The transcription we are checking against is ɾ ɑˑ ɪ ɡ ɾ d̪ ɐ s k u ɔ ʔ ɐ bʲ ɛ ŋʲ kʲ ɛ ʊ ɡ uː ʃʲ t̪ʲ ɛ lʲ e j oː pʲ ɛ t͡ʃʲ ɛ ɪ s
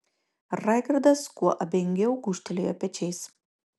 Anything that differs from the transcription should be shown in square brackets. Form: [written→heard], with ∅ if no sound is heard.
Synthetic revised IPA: ɾ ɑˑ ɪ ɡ ɾ d̪ ɐ s k u ɔ ʔ ɐ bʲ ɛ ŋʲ [kʲ→ɡʲ] ɛ ʊ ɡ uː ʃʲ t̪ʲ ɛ lʲ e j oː pʲ ɛ t͡ʃʲ ɛ ɪ s